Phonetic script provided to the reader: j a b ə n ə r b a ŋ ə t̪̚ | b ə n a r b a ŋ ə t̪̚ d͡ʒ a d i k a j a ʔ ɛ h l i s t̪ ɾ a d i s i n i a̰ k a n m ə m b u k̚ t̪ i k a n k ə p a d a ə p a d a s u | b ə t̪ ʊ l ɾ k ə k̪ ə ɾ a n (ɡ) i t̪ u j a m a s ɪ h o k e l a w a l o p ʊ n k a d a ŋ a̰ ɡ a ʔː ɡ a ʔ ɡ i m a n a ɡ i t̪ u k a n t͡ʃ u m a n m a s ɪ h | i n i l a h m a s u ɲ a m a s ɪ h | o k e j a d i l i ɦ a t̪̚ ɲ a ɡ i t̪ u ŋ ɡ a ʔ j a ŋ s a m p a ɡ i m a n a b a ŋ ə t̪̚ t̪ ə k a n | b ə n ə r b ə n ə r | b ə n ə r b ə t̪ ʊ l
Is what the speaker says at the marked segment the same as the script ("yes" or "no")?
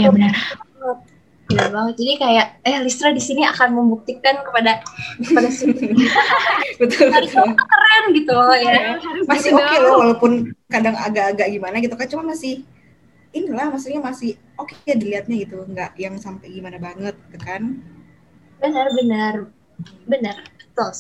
yes